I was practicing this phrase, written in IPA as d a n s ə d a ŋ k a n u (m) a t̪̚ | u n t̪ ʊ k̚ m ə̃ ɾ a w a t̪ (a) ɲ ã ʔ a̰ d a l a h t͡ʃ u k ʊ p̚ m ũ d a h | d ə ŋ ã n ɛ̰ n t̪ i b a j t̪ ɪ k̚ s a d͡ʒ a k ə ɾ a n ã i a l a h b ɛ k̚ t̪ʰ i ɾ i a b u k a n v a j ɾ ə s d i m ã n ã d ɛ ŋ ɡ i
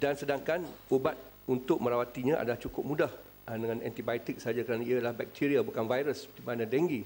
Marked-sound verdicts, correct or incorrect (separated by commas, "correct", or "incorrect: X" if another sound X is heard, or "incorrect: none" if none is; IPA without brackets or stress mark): incorrect: b, incorrect: i